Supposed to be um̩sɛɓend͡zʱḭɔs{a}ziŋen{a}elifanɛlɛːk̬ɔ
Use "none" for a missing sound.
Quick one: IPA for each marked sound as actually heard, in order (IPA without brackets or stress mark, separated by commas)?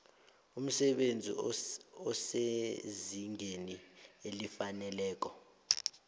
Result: e, i